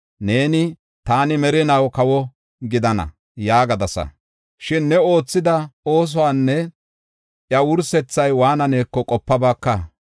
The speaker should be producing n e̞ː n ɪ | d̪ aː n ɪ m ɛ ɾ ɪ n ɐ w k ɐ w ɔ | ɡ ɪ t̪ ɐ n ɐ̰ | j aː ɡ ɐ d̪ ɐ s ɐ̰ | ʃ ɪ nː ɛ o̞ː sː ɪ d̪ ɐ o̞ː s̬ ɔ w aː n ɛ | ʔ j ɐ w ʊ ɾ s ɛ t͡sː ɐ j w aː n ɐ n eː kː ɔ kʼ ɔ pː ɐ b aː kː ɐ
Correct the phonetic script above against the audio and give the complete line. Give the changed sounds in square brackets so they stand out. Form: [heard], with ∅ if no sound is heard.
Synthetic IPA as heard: n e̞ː n ɪ | [t̪] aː n ɪ m ɛ ɾ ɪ n ɐ w k ɐ w ɔ | ɡ ɪ [d̪] ɐ n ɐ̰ | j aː ɡ ɐ d̪ ɐ s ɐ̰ | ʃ ɪ nː ɛ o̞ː [t͡sː] ɪ d̪ ɐ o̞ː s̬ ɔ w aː [nː] ɛ | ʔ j ɐ w ʊ ɾ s ɛ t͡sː ɐ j w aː n ɐ n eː kː ɔ kʼ ɔ pː ɐ b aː kː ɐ

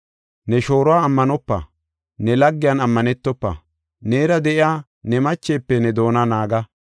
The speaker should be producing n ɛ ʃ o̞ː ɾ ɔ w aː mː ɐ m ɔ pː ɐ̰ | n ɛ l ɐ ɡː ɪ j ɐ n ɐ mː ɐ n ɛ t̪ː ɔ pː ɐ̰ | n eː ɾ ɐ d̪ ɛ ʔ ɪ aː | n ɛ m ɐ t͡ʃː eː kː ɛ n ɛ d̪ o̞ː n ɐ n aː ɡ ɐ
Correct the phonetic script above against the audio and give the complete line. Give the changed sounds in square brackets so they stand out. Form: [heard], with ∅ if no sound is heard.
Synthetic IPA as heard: n ɛ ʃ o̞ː ɾ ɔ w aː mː ɐ [n] ɔ pː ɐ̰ | n ɛ l ɐ ɡː ɪ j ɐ n ɐ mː ɐ n ɛ t̪ː ɔ pː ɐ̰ | n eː ɾ ɐ d̪ ɛ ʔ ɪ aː | n ɛ m ɐ t͡ʃː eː [pː] ɛ n ɛ d̪ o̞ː n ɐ n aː ɡ ɐ

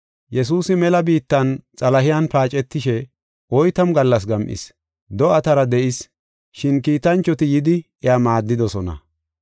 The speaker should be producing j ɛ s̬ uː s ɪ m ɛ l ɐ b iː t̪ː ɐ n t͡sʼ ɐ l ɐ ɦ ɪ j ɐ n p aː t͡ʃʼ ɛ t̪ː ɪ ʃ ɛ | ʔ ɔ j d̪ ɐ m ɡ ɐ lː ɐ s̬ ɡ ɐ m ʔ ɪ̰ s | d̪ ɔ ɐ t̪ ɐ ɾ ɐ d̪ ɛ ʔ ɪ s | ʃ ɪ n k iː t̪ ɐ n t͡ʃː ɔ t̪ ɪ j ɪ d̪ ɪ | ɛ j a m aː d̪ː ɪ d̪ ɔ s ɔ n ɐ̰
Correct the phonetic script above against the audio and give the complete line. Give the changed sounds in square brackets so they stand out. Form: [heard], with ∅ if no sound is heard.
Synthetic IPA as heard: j ɛ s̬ uː s ɪ m ɛ l ɐ b iː t̪ː ɐ n t͡sʼ ɐ l ɐ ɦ ɪ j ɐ n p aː t͡ʃʼ ɛ t̪ː ɪ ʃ ɛ | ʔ ɔ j [t̪] ɐ m ɡ ɐ lː ɐ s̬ ɡ ɐ m ʔ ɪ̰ s | d̪ ɔ ɐ t̪ ɐ ɾ ɐ d̪ ɛ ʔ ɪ s | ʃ ɪ n k iː t̪ ɐ n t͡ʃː ɔ t̪ ɪ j ɪ d̪ ɪ | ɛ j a m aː d̪ː ɪ d̪ ɔ s ɔ n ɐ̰

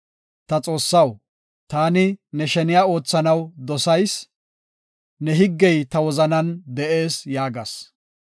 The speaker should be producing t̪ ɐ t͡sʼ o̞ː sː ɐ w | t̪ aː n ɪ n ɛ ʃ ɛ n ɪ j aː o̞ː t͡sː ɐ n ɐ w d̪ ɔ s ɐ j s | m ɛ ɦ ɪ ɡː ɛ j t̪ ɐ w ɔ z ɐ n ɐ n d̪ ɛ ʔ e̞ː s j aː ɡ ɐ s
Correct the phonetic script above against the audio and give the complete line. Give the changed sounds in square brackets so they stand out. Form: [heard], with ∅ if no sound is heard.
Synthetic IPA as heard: t̪ ɐ t͡sʼ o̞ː sː ɐ w | t̪ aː n ɪ n ɛ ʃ ɛ n ɪ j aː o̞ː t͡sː ɐ n ɐ w d̪ ɔ s ɐ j s | [n] ɛ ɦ ɪ ɡː ɛ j t̪ ɐ w ɔ z ɐ n ɐ n d̪ ɛ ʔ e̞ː s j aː ɡ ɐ s

